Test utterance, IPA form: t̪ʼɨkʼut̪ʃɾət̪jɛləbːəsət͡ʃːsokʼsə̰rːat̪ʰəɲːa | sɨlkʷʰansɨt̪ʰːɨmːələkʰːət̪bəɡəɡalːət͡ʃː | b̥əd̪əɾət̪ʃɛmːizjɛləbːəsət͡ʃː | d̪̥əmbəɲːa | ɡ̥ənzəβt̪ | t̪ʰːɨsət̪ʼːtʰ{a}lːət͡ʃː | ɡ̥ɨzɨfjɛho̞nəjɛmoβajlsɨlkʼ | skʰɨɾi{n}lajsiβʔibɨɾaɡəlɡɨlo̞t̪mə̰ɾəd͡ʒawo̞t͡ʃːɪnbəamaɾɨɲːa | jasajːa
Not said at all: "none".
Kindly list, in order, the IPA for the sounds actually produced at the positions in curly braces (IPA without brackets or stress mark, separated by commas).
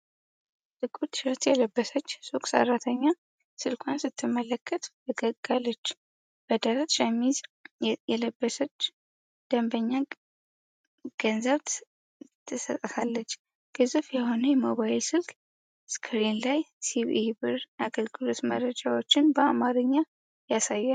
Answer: a, n